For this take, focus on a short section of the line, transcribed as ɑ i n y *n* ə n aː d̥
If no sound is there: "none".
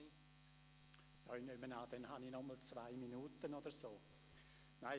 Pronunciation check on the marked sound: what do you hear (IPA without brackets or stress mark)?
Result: m